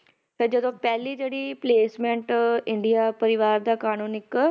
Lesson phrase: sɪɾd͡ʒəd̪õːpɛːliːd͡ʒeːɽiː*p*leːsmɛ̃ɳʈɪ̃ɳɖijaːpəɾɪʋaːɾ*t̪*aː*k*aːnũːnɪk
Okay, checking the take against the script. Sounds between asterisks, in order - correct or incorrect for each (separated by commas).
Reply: correct, incorrect, correct